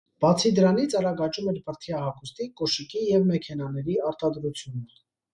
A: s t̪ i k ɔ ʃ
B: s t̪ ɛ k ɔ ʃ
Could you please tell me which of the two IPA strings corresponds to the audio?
A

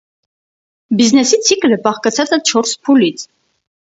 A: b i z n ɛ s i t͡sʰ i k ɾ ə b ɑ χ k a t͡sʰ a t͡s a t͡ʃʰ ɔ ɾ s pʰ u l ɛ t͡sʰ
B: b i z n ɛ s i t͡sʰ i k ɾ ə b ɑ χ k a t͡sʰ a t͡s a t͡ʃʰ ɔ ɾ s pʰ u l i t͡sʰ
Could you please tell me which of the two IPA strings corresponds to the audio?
B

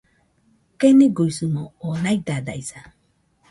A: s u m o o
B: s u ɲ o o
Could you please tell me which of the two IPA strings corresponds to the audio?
A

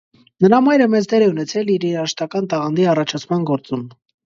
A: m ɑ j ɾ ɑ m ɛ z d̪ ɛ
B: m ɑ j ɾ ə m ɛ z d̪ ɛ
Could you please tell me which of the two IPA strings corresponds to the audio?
B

